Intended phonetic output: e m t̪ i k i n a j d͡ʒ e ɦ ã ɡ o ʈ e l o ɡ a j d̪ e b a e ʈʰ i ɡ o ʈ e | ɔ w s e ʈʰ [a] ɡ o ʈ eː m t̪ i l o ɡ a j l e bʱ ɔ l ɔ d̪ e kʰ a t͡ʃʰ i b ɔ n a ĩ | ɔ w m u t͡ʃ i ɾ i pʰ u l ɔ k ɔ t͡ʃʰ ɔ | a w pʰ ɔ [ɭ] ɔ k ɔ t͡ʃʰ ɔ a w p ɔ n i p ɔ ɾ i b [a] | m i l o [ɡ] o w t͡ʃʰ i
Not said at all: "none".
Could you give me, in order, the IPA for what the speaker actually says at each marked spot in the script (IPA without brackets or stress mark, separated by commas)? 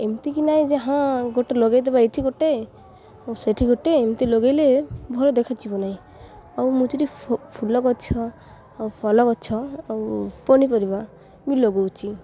i, l, a, ɡ